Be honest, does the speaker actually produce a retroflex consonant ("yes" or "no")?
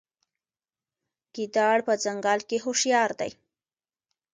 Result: yes